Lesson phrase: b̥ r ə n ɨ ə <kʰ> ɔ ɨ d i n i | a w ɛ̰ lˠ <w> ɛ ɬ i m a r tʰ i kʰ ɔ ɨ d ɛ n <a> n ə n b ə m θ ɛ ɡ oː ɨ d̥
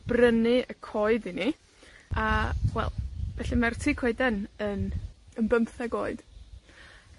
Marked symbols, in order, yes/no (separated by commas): yes, no, no